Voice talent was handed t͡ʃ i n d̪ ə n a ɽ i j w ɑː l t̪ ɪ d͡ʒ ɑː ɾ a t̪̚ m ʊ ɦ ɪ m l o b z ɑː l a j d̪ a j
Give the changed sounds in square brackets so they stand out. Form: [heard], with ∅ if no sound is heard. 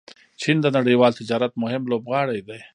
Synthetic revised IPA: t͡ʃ i n d̪ ə n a ɽ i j w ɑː l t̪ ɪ d͡ʒ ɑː ɾ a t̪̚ m ʊ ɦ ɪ m l o b [ɣ] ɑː [ɽ] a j d̪ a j